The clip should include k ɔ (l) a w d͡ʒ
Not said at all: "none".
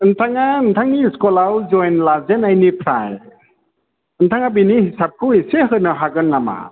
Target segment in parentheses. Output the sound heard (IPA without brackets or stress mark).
l